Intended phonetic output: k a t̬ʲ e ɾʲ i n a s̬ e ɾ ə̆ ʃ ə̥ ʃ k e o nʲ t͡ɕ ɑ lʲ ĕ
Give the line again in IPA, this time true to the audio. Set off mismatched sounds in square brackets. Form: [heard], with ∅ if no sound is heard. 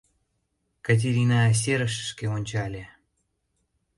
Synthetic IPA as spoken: k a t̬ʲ e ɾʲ i n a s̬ e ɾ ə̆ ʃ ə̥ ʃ k e o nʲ t͡ɕ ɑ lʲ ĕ